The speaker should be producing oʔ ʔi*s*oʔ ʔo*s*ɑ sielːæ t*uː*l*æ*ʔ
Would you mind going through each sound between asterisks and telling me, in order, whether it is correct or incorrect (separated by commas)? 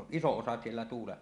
correct, correct, correct, incorrect